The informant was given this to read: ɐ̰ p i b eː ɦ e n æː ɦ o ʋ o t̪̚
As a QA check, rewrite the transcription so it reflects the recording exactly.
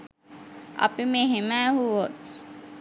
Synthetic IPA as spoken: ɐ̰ p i m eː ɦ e m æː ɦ u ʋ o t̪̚

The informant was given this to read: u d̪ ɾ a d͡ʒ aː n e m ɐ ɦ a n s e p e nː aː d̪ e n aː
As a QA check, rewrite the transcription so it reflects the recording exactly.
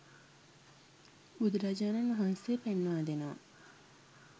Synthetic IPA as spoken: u d̪ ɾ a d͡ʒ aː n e n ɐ ɦ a n s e p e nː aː d̪ e n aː

